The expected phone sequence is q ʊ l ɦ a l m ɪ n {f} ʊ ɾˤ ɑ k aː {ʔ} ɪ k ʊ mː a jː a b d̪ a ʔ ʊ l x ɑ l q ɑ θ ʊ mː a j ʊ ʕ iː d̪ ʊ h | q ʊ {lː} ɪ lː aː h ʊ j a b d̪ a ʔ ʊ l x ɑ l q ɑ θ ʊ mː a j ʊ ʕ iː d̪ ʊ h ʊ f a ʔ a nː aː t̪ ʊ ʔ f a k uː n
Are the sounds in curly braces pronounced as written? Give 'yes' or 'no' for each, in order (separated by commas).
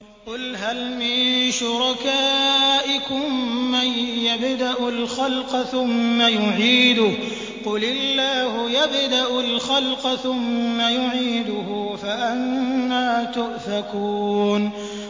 no, yes, no